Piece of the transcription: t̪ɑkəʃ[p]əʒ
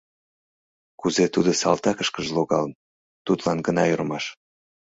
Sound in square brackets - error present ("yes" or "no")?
yes